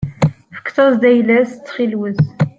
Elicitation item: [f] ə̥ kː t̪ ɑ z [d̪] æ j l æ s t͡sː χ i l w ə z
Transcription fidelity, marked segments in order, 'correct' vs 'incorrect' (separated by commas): correct, correct